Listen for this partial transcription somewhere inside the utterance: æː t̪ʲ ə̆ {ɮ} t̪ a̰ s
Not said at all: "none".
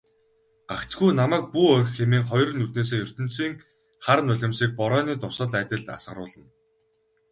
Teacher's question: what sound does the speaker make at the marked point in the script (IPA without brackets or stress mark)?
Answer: ɮ